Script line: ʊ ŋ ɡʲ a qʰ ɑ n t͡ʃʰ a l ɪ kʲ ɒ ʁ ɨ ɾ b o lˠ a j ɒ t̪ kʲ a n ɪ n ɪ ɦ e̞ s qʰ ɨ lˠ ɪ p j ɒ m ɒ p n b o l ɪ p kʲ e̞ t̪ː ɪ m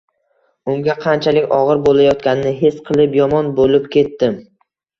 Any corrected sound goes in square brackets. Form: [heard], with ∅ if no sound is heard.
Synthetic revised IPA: ʊ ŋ ɡʲ a qʰ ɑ n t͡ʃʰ a l ɪ kʲ ɒ ʁ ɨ ɾ b o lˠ a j ɒ t̪ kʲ a n ɪ n ɪ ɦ e̞ s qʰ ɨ lˠ ɪ p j ɒ m ɒ [∅] n b o l ɪ p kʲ e̞ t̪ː ɪ m